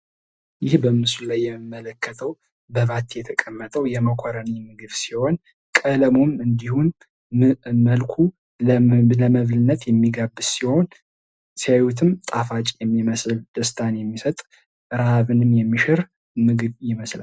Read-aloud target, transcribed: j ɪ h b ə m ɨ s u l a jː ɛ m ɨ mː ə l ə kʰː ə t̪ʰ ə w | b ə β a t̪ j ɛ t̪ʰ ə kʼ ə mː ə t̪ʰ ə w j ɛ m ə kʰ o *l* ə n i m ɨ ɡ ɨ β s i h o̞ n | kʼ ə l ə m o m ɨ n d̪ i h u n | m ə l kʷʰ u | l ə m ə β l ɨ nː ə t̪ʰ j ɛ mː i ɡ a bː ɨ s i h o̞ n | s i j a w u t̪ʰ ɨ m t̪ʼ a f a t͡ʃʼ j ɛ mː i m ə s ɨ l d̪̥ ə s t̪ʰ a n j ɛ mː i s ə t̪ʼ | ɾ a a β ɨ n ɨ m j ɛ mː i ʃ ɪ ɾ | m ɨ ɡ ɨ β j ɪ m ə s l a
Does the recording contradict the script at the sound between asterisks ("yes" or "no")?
yes